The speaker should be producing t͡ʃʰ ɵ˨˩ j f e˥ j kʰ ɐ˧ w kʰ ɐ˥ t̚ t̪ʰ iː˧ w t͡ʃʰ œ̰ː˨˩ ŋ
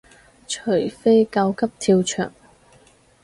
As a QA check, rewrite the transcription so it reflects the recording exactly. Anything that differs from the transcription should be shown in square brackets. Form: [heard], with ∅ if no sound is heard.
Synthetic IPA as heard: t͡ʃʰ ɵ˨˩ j f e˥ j [k] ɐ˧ w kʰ ɐ˥ [p̚] t̪ʰ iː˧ w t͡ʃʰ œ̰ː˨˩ ŋ